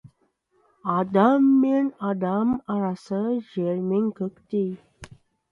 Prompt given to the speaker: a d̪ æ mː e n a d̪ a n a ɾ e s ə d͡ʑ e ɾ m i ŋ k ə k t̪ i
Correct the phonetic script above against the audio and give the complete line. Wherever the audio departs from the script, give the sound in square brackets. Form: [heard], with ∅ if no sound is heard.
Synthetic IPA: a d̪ [a] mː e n a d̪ a [m] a ɾ [a] s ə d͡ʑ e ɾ m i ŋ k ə k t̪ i